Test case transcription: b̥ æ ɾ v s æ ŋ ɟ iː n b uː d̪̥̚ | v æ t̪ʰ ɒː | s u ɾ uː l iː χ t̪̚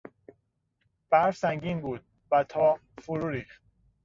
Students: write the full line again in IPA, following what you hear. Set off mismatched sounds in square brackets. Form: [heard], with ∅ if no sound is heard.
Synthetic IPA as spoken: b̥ æ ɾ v s æ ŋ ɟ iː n b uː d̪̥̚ | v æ t̪ʰ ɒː | [f] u ɾ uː [ɾ] iː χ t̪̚